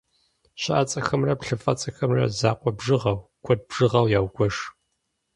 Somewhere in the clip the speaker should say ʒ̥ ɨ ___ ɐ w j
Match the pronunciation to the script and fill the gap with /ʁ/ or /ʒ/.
ʁ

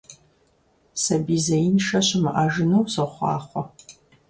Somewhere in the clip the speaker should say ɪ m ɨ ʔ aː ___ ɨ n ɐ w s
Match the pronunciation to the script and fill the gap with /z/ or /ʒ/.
ʒ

